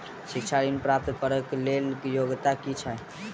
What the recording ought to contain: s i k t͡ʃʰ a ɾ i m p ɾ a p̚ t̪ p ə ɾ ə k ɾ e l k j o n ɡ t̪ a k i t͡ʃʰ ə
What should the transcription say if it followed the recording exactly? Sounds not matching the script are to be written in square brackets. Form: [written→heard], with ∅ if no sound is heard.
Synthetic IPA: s i k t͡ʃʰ a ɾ i [m→n] p ɾ a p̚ t̪ p ə ɾ ə k [ɾ→l] e l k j o [n→∅] ɡ t̪ a k i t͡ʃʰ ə